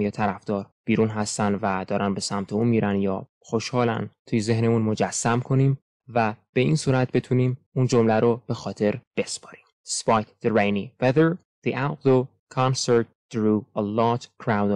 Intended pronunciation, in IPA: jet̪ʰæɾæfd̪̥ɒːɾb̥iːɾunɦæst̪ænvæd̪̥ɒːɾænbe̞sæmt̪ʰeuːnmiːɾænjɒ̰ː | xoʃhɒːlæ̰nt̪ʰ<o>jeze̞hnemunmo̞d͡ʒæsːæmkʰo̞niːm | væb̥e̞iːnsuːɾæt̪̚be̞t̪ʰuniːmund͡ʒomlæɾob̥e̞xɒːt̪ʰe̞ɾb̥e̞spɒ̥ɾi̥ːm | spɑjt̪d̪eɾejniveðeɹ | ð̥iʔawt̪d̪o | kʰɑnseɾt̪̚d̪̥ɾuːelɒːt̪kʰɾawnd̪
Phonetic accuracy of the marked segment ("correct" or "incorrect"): incorrect